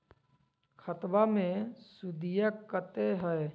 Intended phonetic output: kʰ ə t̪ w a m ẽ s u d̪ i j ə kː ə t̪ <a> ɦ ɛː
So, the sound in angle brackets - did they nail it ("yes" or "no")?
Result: no